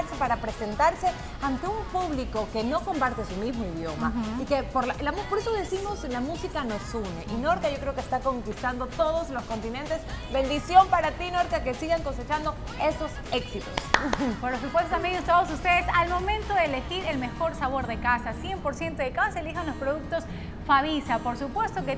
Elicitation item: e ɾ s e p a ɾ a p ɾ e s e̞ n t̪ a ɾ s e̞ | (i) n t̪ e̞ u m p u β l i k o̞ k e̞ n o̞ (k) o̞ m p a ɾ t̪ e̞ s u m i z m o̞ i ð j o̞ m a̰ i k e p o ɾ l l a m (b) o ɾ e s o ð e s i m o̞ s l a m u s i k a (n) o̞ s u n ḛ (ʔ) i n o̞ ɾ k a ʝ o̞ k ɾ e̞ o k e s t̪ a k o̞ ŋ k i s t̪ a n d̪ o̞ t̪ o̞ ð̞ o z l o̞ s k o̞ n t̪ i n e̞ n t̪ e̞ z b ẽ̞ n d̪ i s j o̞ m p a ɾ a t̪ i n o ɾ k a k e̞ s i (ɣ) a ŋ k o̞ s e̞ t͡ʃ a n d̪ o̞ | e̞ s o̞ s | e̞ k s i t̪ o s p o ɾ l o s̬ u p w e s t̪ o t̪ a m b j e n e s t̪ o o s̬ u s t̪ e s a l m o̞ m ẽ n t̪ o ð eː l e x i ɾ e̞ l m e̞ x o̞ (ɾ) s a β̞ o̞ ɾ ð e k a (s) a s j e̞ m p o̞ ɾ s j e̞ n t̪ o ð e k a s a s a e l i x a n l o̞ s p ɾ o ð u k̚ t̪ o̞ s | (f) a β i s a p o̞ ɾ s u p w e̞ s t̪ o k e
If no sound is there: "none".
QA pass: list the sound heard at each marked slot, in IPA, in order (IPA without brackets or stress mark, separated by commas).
a, k, p, n, ʔ, ɣ, ɾ, s, f